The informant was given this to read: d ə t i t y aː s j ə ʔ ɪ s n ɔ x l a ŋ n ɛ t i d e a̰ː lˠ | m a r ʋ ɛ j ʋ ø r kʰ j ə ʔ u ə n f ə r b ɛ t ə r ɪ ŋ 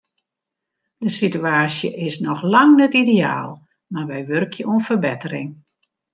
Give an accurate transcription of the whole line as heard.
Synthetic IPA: d ə s i t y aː s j ə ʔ ɪ s n ɔ x l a ŋ n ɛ t i d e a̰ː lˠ | m a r ʋ ɛ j ʋ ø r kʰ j ə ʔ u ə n f ə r b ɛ t ə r ɪ ŋ

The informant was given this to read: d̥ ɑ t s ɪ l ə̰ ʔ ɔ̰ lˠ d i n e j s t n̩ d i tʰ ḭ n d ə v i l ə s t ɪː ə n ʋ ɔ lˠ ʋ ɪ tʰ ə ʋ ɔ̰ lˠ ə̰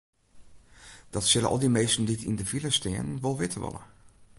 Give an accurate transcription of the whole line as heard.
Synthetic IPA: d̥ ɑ t s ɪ l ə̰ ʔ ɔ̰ lˠ d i m e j s t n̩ d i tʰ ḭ n d ə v i l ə s t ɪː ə n ʋ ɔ lˠ ʋ ɪ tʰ ə ʋ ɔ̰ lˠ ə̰

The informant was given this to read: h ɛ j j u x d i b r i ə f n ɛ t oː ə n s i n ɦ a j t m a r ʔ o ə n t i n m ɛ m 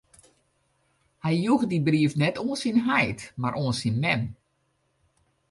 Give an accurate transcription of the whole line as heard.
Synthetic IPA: h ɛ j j u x d i b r i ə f n ɛ t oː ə n s i n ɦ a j t m a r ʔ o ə n s i n m ɛ m

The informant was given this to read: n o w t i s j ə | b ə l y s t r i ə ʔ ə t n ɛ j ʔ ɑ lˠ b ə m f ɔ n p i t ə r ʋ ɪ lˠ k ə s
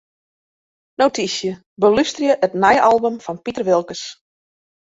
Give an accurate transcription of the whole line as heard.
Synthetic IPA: n o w t i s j ə | b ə l y s t r j ə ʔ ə t n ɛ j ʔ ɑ lˠ b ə m f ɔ n p i t ə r ʋ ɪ lˠ k ə s

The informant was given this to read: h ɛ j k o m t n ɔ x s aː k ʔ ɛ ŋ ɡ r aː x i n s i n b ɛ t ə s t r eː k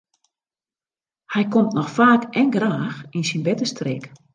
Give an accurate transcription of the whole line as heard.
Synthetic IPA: h ɛ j k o m t n ɔ x f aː k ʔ ɛ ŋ ɡ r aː x i n s i n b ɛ t ə s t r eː k

